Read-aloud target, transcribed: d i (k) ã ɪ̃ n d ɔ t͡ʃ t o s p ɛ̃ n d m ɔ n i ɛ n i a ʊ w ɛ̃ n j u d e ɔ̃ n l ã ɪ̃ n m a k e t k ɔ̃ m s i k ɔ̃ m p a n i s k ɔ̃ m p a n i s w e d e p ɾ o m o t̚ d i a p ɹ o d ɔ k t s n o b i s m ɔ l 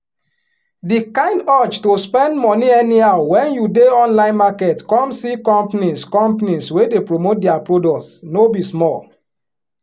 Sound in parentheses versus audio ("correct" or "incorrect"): correct